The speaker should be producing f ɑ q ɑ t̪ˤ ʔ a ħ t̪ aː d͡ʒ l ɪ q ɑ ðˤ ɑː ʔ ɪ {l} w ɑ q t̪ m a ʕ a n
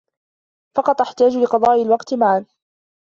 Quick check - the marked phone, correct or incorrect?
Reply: correct